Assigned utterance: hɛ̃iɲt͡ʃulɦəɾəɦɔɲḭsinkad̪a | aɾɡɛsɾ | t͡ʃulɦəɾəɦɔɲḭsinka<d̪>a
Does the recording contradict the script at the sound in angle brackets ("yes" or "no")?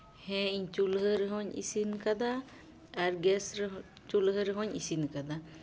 no